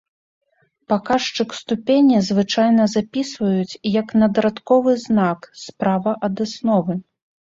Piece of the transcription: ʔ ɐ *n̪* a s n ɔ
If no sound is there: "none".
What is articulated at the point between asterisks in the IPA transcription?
d̪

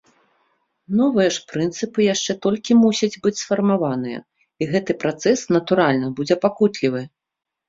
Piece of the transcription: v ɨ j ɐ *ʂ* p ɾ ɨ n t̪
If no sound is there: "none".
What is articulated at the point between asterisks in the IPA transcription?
ʂ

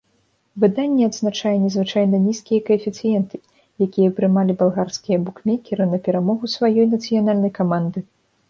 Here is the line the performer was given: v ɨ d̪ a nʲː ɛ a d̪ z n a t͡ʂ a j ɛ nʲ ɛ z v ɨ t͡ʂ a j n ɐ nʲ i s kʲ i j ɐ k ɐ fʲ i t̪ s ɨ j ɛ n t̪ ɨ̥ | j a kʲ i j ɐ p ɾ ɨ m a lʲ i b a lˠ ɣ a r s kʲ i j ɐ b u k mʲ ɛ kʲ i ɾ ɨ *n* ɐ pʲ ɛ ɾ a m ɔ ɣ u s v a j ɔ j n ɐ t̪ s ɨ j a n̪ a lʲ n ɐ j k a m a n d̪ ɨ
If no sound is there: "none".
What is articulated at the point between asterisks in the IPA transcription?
n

